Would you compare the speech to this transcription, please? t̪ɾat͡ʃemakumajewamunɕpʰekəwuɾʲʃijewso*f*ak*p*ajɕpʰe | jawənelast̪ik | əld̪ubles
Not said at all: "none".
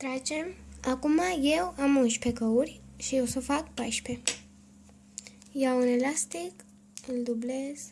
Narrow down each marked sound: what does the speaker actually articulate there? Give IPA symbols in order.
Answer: f, p

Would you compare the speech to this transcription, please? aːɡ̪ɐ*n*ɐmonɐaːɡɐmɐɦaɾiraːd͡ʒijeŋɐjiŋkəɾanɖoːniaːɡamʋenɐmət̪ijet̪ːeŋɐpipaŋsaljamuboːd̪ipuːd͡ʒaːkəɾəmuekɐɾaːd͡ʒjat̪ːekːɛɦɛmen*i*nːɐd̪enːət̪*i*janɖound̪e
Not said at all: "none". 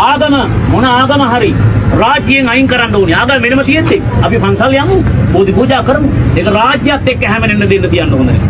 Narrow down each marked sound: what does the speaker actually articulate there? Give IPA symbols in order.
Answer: m, e, i

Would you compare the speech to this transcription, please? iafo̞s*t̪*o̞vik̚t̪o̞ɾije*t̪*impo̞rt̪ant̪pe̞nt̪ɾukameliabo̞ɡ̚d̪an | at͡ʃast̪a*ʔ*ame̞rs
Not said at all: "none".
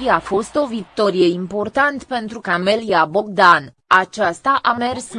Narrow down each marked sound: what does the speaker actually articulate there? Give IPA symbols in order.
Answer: t̪, none, ʔ

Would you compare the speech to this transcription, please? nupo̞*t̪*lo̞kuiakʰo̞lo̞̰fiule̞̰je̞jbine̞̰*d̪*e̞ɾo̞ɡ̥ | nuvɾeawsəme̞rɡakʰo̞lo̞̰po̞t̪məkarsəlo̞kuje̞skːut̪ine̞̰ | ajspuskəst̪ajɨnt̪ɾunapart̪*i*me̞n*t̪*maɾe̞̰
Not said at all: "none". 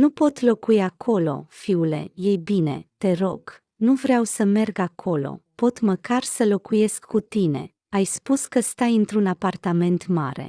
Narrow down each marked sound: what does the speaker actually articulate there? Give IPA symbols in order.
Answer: t̪, t̪, a, t̪

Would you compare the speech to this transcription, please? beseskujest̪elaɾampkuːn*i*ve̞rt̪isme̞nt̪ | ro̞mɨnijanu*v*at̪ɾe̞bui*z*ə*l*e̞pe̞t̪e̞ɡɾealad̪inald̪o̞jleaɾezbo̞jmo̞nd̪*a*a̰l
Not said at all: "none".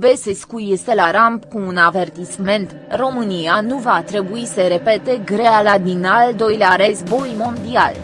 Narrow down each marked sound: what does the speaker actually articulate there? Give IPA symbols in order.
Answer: a, v, s, ɾ, i

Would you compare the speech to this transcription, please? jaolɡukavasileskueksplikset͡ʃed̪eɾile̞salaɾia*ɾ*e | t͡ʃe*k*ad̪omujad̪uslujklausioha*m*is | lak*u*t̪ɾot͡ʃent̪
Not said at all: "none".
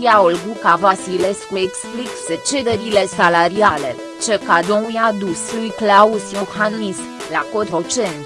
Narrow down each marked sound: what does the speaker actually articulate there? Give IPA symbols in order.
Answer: l, k, n, o

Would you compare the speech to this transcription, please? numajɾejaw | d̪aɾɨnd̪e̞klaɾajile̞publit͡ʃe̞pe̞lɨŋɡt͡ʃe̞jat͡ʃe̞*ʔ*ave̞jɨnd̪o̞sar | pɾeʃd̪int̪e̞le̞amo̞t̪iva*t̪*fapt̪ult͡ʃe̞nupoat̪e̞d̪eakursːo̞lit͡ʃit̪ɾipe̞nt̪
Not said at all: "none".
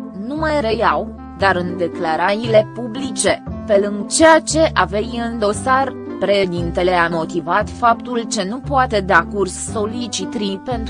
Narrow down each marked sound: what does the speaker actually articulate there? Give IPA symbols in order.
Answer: ʔ, t̪

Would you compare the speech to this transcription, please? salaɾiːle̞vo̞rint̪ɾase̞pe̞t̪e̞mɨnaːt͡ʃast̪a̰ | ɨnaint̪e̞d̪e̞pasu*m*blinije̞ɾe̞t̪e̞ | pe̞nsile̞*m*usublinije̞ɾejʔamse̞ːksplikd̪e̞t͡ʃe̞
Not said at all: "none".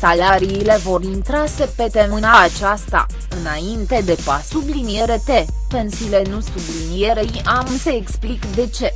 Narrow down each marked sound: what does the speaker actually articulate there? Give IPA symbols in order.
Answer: none, n

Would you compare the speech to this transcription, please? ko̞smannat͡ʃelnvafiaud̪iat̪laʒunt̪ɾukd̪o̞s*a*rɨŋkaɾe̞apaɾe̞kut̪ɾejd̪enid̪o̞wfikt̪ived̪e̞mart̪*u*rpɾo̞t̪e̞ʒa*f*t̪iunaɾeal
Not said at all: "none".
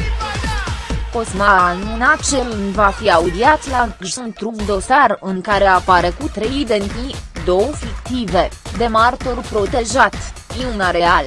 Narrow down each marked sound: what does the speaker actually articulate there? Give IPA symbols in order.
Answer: a, o, none

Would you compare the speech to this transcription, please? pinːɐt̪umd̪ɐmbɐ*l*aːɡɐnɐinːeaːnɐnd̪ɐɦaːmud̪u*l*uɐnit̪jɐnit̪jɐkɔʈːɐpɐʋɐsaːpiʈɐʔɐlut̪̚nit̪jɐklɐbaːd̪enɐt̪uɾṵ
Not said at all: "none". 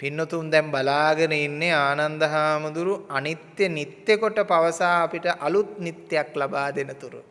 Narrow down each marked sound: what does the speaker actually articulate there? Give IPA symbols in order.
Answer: l, ɾ

